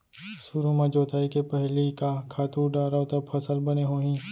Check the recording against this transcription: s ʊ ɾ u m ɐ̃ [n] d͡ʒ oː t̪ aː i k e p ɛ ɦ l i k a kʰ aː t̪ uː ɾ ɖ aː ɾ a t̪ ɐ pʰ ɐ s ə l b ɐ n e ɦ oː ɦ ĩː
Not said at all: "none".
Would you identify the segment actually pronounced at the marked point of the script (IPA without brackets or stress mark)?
none